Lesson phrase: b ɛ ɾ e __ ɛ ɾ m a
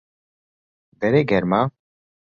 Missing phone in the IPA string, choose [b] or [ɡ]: ɡ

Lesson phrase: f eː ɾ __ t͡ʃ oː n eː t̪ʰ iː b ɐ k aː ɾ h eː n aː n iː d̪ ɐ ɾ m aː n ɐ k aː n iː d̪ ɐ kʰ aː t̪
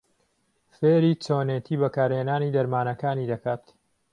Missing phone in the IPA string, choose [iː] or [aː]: iː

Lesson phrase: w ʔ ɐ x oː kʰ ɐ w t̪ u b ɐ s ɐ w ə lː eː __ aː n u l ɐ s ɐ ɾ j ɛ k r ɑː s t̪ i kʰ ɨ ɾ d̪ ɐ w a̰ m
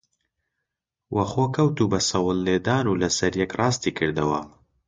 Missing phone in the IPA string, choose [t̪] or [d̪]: d̪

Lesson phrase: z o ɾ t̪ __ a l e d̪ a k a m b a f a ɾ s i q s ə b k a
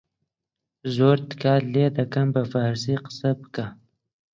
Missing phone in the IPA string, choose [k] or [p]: k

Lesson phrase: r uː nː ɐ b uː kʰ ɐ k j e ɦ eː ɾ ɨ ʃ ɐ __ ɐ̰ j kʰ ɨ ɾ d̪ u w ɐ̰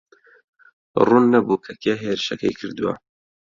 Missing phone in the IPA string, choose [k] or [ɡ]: k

